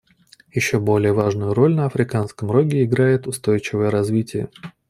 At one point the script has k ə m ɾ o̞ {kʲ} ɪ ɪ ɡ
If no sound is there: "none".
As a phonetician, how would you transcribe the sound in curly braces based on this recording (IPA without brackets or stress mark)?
ɡʲ